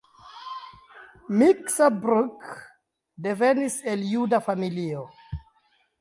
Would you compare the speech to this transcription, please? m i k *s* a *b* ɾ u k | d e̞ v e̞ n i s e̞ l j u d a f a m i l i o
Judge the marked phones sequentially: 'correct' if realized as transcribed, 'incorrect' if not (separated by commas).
correct, correct